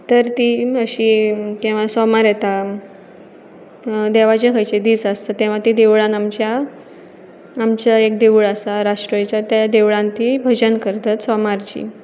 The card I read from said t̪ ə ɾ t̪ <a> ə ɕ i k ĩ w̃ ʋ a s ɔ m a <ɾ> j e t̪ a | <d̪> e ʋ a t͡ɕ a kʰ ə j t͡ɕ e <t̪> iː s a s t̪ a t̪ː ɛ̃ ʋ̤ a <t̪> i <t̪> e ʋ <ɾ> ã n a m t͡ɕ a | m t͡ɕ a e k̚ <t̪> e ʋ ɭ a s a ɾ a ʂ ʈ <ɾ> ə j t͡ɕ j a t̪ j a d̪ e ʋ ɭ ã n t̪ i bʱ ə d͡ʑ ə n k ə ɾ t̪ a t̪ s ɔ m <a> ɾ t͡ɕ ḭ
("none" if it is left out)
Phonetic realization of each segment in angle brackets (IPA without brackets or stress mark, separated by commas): i, ɾ, d̪, d̪, t̪, d̪, ɭ, d̪, ɾ, a